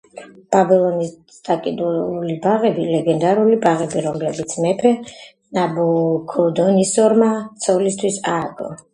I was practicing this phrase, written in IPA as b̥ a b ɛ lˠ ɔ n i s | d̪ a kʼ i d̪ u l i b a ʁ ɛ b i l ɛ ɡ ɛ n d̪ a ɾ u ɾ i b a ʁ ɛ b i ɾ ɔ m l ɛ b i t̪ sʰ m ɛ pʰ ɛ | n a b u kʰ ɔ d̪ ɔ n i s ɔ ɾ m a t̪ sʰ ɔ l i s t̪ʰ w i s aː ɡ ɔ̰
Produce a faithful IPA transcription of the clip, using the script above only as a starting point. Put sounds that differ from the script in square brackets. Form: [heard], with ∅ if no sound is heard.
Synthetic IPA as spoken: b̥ a b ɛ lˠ ɔ n i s | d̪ a kʼ i d̪ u l i b a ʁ ɛ b i l ɛ ɡ ɛ n d̪ a ɾ u [l] i b a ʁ ɛ b i ɾ ɔ m l ɛ b i t̪ sʰ m ɛ pʰ ɛ | n a b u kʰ ɔ d̪ ɔ n i s ɔ ɾ m a t̪ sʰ ɔ l i s t̪ʰ w i s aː ɡ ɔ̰

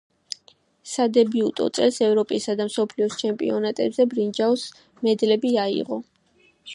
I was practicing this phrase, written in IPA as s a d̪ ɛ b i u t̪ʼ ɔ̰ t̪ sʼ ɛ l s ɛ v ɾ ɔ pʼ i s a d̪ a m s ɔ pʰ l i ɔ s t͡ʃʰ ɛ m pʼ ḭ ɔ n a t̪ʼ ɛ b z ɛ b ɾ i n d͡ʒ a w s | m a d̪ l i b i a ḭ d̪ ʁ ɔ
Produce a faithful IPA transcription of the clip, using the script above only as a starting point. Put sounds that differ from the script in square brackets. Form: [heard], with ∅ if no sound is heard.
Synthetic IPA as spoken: s a d̪ ɛ b i u t̪ʼ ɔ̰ t̪ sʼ ɛ l s ɛ v ɾ ɔ pʼ i s a d̪ a m s ɔ pʰ l i ɔ s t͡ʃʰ ɛ m pʼ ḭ ɔ n a t̪ʼ ɛ b z ɛ b ɾ i n d͡ʒ a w s | m [ɛ] d̪ l [ɛ] b i a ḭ [∅] ʁ ɔ

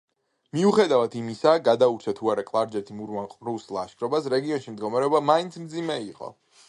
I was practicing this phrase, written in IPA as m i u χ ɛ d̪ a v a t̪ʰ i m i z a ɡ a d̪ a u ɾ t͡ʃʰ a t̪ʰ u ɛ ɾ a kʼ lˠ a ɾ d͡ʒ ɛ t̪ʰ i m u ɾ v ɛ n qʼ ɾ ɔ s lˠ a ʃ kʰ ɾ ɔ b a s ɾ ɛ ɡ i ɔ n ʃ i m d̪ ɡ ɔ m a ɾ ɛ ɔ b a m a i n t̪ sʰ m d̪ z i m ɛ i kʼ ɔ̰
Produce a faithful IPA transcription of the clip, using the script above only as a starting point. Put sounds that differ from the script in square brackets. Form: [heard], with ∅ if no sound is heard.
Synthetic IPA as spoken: m i u χ ɛ d̪ a v a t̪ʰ i m i [s] a ɡ a d̪ a u ɾ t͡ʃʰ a t̪ʰ u [a] ɾ a kʼ lˠ a ɾ d͡ʒ ɛ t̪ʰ i m u ɾ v [a] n qʼ ɾ [u] s lˠ a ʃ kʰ ɾ ɔ b a s ɾ ɛ ɡ i ɔ n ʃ i m d̪ ɡ ɔ m a ɾ ɛ ɔ b a m a i n t̪ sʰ m d̪ z i m ɛ i [qʼ] ɔ̰

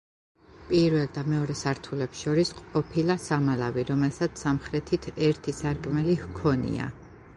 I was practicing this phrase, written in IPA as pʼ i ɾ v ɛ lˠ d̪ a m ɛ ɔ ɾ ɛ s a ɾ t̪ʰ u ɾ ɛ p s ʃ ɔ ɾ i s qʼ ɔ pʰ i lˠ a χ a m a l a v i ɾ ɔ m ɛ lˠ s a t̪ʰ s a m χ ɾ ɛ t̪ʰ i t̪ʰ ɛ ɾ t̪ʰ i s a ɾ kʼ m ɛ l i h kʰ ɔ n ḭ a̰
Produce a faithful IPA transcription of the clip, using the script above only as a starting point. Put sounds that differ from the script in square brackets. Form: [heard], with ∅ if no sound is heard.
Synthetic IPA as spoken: pʼ i ɾ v ɛ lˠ d̪ a m ɛ ɔ ɾ ɛ s a ɾ t̪ʰ u [l] ɛ p s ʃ ɔ ɾ i s qʼ ɔ pʰ i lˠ a [s] a m a l a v i ɾ ɔ m ɛ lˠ s a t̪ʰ s a m χ ɾ ɛ t̪ʰ i t̪ʰ ɛ ɾ t̪ʰ i s a ɾ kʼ m ɛ l i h kʰ ɔ n ḭ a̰

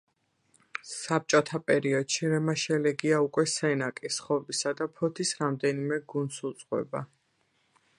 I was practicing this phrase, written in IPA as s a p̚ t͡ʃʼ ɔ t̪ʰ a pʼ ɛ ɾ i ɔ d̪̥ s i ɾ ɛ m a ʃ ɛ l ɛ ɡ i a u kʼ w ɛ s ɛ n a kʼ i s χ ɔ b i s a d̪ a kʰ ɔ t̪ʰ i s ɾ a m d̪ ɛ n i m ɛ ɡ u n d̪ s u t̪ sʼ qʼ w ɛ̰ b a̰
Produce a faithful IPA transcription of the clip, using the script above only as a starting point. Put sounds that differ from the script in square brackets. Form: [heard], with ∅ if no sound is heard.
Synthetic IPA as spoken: s a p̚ t͡ʃʼ ɔ t̪ʰ a pʼ ɛ ɾ i ɔ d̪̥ [ʃ] i ɾ ɛ m a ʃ ɛ l ɛ ɡ i a u kʼ w ɛ s ɛ n a kʼ i s χ ɔ b i s a d̪ a [pʰ] ɔ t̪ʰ i s ɾ a m d̪ ɛ n i m ɛ ɡ u n d̪ s u t̪ sʼ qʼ w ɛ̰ b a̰

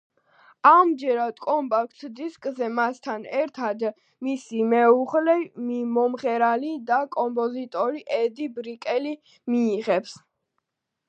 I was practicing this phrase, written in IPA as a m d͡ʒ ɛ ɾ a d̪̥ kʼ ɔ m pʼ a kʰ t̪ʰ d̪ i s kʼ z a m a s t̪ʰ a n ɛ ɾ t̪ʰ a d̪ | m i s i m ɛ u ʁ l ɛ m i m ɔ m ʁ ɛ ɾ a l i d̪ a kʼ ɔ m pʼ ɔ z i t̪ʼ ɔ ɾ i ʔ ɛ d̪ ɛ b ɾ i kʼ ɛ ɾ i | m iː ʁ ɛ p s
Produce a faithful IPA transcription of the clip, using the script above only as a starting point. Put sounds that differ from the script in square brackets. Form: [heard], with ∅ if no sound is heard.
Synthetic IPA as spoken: a m d͡ʒ ɛ ɾ a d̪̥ kʼ ɔ m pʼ a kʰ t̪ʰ d̪ i s kʼ z [ɛ] m a s t̪ʰ a n ɛ ɾ t̪ʰ a d̪ | m i s i m ɛ u ʁ l ɛ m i m ɔ m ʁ ɛ ɾ a l i d̪ a kʼ ɔ m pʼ ɔ z i t̪ʼ ɔ ɾ i ʔ ɛ d̪ [i] b ɾ i kʼ ɛ [l] i | m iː ʁ ɛ p s

